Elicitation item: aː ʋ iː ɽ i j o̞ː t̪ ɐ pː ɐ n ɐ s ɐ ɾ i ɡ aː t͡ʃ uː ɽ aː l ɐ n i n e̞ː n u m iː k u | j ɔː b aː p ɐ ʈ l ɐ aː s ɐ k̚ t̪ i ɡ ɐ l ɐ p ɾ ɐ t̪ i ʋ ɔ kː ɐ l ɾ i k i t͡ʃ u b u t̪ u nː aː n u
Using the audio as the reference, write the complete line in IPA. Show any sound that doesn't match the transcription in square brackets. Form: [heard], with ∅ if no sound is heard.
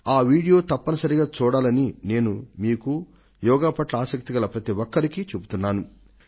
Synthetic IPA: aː ʋ iː ɽ i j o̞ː t̪ ɐ pː ɐ n ɐ s ɐ ɾ i ɡ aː t͡ʃ uː ɽ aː l ɐ n i n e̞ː n u m iː k u | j ɔː [ɡ] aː p ɐ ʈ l ɐ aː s ɐ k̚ t̪ i ɡ ɐ l ɐ p ɾ ɐ t̪ i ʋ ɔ kː ɐ [∅] ɾ i k i t͡ʃ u b u t̪ u nː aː n u